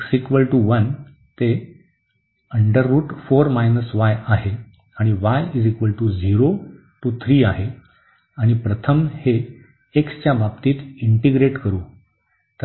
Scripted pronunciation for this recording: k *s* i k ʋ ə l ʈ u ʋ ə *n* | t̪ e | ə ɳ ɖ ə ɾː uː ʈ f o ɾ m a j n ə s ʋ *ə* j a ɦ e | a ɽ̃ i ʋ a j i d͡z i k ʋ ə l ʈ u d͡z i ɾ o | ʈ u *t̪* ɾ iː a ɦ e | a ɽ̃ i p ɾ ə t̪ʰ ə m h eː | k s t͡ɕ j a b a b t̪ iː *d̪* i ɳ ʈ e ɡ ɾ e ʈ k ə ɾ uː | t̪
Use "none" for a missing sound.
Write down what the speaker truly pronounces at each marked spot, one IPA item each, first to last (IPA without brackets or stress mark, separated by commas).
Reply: s, n, a, t̪ʰ, t̪